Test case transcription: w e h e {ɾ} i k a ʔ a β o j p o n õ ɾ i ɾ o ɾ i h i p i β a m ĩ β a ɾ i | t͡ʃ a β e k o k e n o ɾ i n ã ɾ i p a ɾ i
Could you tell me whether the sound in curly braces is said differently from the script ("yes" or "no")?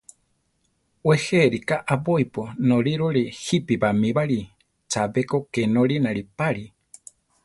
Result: no